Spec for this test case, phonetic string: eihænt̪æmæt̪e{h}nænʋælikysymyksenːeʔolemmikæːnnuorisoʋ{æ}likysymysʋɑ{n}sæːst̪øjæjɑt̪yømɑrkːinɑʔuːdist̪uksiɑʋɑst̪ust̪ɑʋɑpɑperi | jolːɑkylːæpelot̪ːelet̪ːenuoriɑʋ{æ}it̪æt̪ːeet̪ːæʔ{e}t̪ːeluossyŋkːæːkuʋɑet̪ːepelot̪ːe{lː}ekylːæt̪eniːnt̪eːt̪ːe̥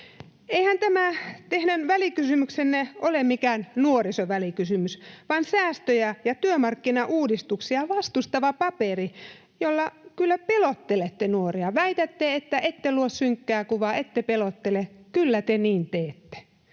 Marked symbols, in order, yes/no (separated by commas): yes, yes, yes, yes, yes, no